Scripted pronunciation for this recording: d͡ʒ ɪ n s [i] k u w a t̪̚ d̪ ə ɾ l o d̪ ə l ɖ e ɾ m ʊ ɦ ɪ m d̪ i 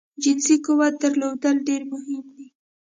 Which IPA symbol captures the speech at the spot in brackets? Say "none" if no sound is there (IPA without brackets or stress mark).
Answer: i